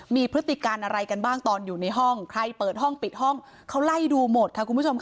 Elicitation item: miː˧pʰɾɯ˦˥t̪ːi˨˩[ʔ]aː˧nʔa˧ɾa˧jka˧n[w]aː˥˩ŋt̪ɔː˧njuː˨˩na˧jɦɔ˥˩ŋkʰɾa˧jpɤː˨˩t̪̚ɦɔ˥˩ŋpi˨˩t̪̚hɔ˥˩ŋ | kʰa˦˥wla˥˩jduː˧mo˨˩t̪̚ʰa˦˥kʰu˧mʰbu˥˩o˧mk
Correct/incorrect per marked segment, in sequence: incorrect, incorrect

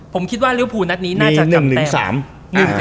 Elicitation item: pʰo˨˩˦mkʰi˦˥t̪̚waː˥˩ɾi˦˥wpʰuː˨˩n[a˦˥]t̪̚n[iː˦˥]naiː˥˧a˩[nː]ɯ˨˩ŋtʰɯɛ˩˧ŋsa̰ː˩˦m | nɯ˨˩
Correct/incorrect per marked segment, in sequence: correct, correct, incorrect

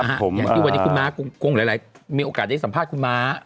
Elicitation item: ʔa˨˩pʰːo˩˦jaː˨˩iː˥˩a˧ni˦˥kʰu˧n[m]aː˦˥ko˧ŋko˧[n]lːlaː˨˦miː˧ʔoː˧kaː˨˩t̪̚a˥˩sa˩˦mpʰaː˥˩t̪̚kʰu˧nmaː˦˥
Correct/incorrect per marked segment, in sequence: correct, incorrect

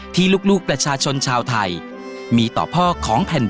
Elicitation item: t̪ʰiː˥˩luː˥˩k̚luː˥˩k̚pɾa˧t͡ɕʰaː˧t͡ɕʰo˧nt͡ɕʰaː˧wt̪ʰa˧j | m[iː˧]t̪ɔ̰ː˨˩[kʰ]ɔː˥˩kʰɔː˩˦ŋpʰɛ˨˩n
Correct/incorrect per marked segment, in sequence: correct, incorrect

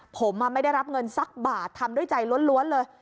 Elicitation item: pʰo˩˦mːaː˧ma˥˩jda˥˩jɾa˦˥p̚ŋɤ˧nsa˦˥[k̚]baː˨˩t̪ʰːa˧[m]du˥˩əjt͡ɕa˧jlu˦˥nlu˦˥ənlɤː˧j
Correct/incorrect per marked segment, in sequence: correct, correct

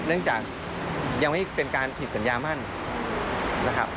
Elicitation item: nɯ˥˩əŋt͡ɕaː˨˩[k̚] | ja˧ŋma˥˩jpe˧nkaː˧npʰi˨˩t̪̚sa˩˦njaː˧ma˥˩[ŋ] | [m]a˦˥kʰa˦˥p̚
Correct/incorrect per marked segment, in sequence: correct, incorrect, incorrect

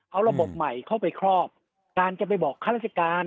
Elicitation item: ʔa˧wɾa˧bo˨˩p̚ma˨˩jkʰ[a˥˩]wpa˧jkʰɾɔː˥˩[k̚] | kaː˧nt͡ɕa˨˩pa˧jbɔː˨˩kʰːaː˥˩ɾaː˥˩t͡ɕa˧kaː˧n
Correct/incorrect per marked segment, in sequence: correct, incorrect

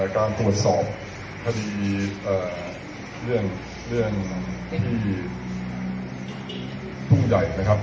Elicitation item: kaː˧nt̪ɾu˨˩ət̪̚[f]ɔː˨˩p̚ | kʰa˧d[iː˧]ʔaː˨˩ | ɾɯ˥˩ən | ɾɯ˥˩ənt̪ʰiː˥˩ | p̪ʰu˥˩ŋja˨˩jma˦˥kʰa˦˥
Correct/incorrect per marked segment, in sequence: incorrect, correct

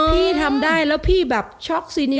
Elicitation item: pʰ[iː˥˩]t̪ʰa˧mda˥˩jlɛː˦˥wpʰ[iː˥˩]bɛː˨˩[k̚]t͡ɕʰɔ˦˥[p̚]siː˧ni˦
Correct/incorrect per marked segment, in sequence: correct, correct, incorrect, incorrect

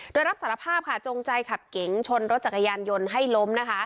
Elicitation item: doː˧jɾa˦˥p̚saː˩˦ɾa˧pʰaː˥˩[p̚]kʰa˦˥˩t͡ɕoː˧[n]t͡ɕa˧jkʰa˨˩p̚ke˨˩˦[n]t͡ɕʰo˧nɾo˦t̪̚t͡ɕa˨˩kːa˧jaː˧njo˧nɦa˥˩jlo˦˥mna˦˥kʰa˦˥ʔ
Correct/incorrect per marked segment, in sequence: correct, incorrect, incorrect

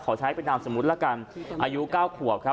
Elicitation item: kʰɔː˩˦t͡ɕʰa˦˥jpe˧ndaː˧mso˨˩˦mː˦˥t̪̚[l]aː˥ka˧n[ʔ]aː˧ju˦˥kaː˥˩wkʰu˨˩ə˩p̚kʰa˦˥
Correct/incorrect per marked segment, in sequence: correct, correct

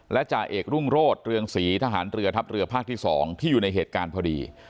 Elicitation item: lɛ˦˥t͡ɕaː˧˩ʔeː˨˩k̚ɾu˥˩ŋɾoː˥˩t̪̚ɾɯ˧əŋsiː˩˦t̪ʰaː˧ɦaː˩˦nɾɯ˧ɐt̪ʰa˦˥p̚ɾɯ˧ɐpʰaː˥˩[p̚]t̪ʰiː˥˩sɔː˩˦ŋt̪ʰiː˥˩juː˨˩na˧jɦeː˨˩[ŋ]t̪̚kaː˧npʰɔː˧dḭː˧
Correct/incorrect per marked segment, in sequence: incorrect, incorrect

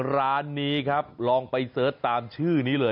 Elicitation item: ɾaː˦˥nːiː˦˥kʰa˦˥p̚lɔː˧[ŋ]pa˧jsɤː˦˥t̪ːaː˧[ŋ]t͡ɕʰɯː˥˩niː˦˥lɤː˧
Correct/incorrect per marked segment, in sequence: correct, incorrect

